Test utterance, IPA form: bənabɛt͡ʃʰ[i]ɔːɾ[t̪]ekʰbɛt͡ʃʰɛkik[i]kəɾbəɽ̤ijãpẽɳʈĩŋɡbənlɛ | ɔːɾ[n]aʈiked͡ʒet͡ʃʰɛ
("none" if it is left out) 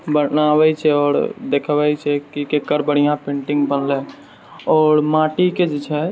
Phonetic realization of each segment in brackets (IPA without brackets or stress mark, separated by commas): ɛ, d̪, e, m